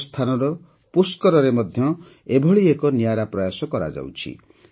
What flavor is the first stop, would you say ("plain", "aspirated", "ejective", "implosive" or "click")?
aspirated